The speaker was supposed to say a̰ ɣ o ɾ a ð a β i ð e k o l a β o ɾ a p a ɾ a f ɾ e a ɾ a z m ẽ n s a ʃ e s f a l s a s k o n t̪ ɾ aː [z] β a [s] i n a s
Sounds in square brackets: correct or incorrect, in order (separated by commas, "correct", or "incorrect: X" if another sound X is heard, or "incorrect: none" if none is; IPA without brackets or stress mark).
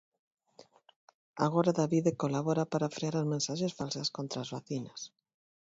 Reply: correct, incorrect: θ